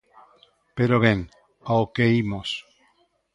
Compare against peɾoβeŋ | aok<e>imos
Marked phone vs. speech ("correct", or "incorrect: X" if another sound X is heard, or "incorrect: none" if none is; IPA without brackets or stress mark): correct